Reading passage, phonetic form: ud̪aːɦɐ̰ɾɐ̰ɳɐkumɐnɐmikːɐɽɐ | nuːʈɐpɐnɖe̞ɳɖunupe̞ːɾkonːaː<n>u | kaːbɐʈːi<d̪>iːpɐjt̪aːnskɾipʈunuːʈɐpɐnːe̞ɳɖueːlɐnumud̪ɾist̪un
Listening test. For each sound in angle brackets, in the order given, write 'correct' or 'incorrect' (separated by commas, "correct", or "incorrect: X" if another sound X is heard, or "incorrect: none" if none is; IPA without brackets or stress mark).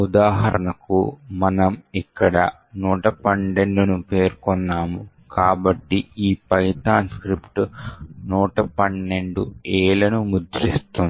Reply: incorrect: m, incorrect: none